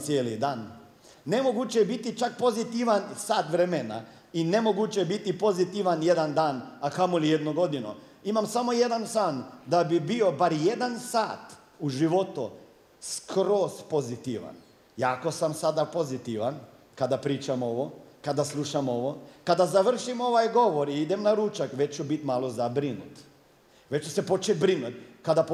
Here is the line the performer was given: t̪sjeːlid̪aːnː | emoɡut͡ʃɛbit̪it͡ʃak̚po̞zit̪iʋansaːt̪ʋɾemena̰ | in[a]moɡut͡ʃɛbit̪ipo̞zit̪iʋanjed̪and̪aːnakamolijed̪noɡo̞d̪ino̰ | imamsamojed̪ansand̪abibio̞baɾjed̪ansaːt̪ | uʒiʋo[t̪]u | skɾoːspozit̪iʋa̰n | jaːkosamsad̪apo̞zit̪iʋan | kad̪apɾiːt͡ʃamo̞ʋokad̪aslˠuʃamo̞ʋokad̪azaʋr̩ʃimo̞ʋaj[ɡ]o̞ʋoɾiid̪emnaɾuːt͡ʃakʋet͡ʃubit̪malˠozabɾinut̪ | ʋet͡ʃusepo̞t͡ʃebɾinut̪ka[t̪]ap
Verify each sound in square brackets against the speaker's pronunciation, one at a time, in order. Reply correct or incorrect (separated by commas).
incorrect, correct, correct, incorrect